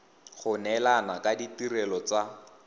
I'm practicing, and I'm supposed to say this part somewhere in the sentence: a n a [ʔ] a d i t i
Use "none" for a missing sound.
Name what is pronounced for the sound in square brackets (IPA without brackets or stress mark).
k